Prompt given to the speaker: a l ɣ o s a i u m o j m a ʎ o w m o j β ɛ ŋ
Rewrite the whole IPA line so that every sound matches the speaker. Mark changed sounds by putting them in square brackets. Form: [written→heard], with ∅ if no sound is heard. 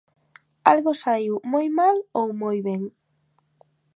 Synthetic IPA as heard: a l ɣ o s a i [u→w] m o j m a [ʎ→l] o w m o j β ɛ ŋ